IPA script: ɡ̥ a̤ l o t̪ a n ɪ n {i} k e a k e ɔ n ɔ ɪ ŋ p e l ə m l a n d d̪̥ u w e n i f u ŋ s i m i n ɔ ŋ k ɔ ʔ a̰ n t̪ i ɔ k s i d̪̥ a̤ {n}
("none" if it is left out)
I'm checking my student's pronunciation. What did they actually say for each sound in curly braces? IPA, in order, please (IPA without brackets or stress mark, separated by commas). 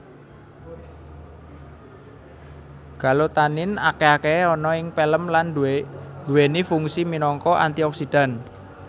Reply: a, n